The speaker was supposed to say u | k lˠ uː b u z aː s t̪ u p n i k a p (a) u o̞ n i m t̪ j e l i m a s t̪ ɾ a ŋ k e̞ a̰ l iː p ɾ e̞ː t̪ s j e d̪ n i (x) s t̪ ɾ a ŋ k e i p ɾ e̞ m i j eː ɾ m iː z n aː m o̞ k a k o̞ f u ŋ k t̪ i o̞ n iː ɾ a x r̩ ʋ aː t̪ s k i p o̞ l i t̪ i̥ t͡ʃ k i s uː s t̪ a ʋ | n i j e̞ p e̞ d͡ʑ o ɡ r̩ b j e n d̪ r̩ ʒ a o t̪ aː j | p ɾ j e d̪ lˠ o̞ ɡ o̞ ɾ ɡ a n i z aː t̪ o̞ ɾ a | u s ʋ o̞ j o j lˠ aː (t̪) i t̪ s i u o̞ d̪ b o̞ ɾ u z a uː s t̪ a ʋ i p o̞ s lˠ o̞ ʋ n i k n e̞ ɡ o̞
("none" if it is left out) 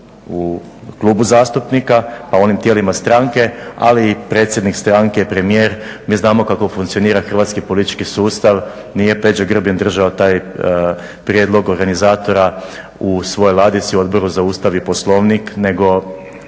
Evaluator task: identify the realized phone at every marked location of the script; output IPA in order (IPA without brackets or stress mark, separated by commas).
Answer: a, k, d̪